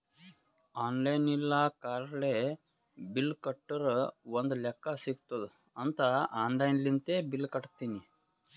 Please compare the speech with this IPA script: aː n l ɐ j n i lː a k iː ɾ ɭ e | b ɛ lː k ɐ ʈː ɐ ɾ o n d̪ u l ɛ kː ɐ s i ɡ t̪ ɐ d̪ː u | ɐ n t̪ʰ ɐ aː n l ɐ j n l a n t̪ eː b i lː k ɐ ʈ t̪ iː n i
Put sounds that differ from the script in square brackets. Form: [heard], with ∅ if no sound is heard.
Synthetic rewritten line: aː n l ɐ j n i lː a k [aː] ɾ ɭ e | b [i] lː k ɐ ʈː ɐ ɾ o n d̪ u l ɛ kː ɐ s i ɡ t̪ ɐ [d̪] u | ɐ n [t̪] ɐ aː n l ɐ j n l [i] n t̪ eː b i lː k ɐ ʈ t̪ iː n i

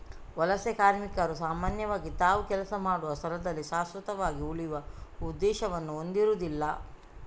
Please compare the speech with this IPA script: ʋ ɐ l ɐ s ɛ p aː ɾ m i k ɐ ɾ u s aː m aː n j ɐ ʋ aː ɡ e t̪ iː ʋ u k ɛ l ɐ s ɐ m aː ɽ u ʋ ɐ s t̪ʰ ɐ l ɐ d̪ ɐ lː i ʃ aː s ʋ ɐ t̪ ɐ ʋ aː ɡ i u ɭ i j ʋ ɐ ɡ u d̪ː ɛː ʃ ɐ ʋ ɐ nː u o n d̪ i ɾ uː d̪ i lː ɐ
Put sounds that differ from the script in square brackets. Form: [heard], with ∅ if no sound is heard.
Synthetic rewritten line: ʋ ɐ l ɐ s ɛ [k] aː ɾ m i k ɐ ɾ u s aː m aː n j ɐ ʋ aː ɡ [i] t̪ [aː] ʋ u k ɛ l ɐ s ɐ m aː ɽ u ʋ ɐ s t̪ʰ ɐ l ɐ d̪ ɐ lː i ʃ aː s ʋ ɐ t̪ ɐ ʋ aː ɡ i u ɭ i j ʋ ɐ [∅] u d̪ː ɛː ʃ ɐ ʋ ɐ nː u o n d̪ i ɾ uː d̪ i lː ɐ

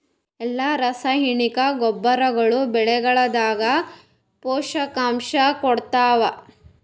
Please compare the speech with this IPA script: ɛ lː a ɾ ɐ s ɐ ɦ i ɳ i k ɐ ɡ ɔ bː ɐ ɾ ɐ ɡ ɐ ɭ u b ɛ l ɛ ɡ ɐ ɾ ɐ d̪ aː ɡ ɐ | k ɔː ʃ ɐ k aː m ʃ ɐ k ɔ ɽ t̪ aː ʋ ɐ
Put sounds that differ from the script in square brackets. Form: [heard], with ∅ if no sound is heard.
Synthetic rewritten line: ɛ lː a ɾ ɐ s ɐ ɦ i ɳ i k ɐ ɡ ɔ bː ɐ ɾ ɐ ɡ ɐ ɭ u b ɛ [ɭ] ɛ ɡ ɐ [ɭ] ɐ d̪ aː ɡ ɐ | [p] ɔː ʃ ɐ k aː m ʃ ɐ k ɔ ɽ t̪ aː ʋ ɐ

